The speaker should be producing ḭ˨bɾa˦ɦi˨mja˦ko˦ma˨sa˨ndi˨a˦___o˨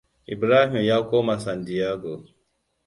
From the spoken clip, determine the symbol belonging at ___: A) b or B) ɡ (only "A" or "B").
B